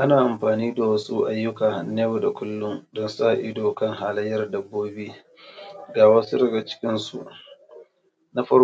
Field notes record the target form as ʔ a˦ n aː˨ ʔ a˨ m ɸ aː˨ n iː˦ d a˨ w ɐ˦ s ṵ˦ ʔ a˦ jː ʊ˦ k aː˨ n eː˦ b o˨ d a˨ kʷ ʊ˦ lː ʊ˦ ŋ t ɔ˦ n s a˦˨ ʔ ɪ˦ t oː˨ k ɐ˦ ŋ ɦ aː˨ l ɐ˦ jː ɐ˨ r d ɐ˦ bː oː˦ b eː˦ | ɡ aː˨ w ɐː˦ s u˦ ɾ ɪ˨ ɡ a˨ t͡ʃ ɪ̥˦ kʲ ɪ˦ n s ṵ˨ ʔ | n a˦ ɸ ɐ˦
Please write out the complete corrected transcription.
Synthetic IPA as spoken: ʔ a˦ n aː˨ ʔ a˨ m ɸ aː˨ n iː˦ d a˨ w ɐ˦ s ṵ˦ ʔ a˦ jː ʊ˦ k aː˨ n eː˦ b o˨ d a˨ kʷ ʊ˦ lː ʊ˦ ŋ d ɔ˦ n s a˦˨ ʔ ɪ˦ d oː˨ k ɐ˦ ŋ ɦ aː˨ l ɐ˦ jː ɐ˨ r d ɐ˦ bː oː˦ b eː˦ | ɡ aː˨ w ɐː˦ s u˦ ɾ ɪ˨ ɡ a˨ t͡ʃ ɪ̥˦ kʲ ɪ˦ n s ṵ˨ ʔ | n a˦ ɸ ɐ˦

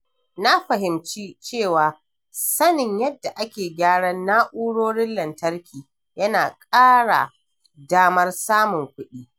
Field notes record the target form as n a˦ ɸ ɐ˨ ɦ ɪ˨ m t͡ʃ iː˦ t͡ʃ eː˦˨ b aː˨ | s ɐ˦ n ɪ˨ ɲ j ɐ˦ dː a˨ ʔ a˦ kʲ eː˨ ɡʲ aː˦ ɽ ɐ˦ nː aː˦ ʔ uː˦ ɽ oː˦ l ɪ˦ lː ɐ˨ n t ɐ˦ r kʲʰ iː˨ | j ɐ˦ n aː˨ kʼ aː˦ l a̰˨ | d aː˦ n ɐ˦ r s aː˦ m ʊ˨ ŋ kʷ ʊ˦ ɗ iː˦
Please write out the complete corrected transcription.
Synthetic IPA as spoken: n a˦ ɸ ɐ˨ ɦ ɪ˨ m t͡ʃ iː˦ t͡ʃ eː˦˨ w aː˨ | s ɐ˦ n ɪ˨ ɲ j ɐ˦ dː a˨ ʔ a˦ kʲ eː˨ ɡʲ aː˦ ɽ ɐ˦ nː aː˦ ʔ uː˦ ɽ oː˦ ɽ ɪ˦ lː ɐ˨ n t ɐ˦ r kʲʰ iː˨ | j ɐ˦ n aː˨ kʼ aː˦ ɽ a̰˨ | d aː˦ m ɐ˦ r s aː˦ m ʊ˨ ŋ kʷ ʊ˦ ɗ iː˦

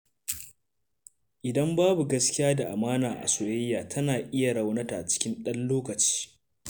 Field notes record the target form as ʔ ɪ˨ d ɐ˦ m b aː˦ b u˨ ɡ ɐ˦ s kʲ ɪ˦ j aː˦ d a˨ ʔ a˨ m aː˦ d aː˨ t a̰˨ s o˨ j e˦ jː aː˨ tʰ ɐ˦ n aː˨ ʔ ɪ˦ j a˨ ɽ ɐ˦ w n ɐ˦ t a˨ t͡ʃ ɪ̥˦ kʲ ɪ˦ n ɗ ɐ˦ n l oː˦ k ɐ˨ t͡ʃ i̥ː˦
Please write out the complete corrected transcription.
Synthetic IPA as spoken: ʔ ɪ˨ d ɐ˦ m b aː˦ b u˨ ɡ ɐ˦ s kʲ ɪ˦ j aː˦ d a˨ ʔ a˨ m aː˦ n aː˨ ʔ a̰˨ s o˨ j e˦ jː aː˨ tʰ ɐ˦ n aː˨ ʔ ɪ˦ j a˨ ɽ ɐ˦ w n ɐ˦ t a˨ t͡ʃ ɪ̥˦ kʲ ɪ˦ n ɗ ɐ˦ n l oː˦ k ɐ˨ t͡ʃ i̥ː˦

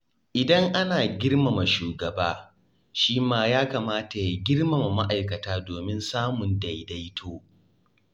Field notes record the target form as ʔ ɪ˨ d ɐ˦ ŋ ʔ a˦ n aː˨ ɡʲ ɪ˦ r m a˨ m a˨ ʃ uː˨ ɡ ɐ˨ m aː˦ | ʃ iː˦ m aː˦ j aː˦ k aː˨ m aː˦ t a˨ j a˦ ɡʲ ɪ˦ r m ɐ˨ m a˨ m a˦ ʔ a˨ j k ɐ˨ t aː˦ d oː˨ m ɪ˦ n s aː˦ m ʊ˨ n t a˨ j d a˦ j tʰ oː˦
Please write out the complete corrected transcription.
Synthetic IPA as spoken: ʔ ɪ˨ d ɐ˦ ŋ ʔ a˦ n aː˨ ɡʲ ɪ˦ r m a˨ m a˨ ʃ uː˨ ɡ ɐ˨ b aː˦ | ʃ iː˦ m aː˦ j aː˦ k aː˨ m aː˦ t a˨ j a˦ ɡʲ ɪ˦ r m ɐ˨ m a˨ m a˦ ʔ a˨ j k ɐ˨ t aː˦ d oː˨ m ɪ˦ n s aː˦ m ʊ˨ n d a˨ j d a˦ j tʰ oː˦

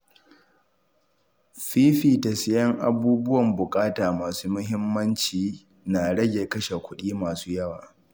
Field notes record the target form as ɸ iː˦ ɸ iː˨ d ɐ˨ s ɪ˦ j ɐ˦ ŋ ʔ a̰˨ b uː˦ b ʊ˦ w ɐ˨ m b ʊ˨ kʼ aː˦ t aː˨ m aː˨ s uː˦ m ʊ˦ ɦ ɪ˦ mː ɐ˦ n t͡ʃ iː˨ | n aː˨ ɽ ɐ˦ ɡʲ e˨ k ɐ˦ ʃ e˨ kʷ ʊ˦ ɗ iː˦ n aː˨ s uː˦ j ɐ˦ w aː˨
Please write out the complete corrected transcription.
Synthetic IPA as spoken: ɸ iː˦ ɸ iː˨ t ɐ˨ s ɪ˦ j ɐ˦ ŋ ʔ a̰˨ b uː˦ b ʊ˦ w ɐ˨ m b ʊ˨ kʼ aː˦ t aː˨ m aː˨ s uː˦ m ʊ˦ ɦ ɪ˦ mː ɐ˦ n t͡ʃ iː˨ | n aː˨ ɽ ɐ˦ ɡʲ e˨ k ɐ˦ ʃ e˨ kʷ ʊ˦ ɗ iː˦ m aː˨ s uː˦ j ɐ˦ w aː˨

